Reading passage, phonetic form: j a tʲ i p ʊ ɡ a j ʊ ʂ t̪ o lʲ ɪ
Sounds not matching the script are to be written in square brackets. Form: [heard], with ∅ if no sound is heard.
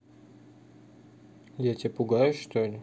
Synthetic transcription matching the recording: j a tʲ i p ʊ ɡ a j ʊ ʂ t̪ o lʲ ɪ